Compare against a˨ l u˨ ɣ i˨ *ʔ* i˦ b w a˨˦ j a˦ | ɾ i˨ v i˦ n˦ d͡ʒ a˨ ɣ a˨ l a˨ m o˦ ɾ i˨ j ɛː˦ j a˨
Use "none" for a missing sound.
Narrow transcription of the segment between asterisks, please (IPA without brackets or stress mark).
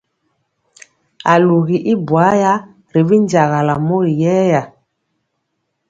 ʔ